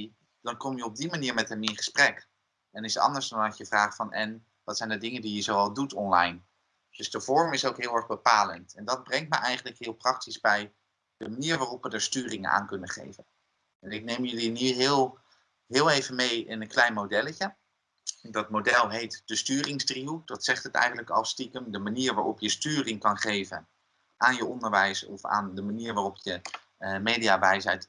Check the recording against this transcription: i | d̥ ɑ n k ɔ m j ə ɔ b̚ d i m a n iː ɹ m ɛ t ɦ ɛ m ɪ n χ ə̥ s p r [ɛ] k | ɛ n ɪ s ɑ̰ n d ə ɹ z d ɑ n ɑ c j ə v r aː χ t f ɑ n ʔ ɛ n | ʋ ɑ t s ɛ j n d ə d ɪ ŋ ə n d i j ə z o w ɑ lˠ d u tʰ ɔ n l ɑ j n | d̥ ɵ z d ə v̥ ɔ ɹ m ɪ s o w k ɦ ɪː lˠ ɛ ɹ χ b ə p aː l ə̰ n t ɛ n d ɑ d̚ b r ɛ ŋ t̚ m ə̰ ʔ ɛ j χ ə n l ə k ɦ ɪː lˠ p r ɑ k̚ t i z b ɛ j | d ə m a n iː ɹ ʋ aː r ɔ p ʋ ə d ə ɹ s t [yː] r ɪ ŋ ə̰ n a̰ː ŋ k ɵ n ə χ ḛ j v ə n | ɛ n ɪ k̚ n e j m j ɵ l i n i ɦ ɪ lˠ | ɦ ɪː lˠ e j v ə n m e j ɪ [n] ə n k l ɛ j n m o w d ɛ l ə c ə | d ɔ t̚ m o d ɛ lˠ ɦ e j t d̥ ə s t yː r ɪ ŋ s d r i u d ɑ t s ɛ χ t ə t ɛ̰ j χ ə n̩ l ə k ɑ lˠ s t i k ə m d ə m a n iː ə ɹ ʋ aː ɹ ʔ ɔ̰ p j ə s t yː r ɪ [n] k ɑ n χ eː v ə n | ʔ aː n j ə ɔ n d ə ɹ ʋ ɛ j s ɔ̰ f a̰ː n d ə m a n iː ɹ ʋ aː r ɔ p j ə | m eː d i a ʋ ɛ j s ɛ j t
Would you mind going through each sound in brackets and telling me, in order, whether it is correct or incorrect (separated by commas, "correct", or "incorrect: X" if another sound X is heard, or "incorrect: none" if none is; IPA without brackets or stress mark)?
correct, correct, correct, incorrect: ŋ